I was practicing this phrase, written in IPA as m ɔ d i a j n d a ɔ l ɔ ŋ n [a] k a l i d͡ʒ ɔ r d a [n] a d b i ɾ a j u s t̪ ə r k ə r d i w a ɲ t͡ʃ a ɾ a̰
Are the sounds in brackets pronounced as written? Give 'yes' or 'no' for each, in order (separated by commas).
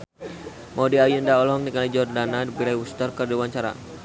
no, yes